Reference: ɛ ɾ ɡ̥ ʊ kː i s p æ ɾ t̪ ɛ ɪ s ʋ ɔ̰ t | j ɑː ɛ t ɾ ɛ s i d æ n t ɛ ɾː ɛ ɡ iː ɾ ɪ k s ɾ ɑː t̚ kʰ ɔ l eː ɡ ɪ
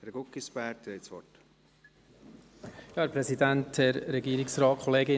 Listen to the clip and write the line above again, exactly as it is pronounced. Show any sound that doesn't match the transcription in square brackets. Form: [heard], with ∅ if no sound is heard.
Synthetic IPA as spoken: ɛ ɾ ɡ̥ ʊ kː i s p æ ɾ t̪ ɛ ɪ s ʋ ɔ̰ t | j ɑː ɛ [p] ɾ ɛ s i d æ n t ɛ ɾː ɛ ɡ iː ɾ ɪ k s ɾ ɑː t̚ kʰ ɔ l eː ɡ ɪ